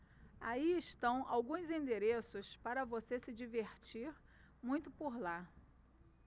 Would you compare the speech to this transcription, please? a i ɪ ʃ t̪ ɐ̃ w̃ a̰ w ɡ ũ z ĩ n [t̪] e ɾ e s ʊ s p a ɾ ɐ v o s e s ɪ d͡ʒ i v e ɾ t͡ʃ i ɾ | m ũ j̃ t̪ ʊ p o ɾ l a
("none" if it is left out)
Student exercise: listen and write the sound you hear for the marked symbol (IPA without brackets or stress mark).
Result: d̪